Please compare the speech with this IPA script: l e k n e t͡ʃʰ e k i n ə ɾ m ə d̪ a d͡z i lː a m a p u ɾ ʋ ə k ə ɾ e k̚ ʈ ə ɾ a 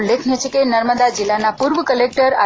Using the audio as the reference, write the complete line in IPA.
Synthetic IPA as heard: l e kʰ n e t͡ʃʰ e k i n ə ɾ m ə d̪ a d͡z i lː a n a p u ɾ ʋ ə k ə l e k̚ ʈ ə ɾ a